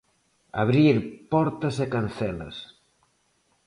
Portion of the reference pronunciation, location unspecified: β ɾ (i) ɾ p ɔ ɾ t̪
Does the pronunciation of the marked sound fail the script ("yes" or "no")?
no